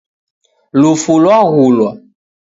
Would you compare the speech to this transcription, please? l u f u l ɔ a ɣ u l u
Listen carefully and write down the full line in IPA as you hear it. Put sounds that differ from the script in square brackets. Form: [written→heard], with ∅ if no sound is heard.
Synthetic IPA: l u f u l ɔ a ɣ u l [u→ɔ]